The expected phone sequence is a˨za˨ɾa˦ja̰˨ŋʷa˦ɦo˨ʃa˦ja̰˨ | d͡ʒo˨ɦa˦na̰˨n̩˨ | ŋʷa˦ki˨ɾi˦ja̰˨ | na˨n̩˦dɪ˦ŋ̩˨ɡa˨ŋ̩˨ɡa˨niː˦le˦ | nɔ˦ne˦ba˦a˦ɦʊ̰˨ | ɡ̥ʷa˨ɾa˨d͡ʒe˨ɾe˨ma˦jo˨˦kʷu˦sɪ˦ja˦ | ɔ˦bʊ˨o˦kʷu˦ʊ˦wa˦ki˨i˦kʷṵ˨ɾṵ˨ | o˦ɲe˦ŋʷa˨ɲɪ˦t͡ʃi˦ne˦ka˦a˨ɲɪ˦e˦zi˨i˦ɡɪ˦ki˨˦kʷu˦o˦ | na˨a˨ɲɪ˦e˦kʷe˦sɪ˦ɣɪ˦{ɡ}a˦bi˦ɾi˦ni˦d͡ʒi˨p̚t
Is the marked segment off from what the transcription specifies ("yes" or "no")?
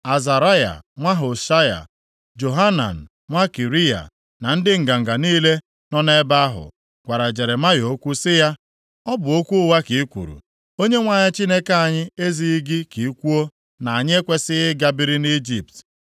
no